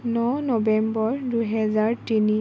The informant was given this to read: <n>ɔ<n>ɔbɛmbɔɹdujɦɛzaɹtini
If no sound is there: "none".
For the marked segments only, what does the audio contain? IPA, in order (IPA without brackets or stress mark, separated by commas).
n, n